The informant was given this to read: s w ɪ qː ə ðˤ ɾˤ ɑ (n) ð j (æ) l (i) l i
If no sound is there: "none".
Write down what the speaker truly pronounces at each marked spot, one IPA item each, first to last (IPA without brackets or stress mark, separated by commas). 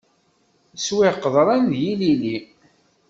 n, i, i